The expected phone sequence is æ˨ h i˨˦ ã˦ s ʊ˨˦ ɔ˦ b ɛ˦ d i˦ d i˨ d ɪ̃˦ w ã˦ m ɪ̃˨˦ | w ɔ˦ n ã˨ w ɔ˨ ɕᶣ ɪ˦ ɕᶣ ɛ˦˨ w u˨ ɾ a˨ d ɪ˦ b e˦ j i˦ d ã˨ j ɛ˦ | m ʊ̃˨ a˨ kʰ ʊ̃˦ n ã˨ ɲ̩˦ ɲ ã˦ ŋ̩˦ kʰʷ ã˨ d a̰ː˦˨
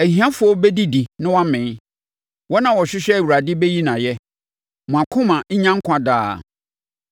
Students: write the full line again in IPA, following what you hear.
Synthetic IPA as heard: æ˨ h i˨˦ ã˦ f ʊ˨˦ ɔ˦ b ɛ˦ d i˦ d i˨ n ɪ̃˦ w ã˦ m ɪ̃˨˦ | w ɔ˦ n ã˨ w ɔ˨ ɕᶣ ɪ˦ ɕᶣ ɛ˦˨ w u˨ ɾ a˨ d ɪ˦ b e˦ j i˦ n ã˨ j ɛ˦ | m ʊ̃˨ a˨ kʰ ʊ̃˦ m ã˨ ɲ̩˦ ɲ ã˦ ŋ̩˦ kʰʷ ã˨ d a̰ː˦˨